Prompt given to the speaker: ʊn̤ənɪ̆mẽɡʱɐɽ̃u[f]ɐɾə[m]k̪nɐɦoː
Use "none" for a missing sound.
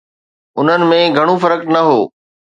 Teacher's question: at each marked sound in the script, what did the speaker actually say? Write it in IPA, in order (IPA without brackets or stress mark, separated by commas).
f, none